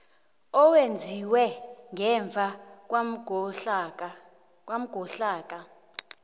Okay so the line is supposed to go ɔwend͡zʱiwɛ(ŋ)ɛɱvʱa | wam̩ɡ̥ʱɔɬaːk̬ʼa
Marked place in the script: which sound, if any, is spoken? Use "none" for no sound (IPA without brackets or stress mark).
ŋ